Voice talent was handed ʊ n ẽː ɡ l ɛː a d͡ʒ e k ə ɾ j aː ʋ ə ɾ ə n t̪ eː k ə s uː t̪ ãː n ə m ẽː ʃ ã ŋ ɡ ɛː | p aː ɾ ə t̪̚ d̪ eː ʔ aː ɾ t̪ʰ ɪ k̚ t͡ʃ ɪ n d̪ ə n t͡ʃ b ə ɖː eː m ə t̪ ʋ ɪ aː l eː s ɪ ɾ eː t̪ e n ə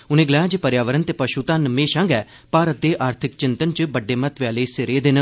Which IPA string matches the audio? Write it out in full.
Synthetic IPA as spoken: ʊ n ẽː ɡ l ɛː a d͡ʒ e p ə ɾ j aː ʋ ə ɾ ə n t̪ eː p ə ʃ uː t̪ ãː n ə m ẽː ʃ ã ŋ ɡ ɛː | p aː ɾ ə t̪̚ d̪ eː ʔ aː ɾ t̪ʰ ɪ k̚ t͡ʃ ɪ n t̪ ə n t͡ʃ b ə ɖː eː m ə t̪ ʋ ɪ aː l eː s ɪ ɾ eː d̪ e n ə